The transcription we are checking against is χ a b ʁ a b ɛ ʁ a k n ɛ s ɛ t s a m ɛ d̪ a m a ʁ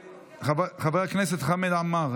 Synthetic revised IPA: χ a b χ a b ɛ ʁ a k n ɛ s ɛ t χ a m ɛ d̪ a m a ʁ